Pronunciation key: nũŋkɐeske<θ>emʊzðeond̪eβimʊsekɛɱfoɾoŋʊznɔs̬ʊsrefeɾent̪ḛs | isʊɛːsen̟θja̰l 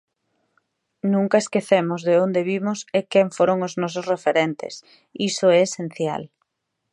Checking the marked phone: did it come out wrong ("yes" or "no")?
no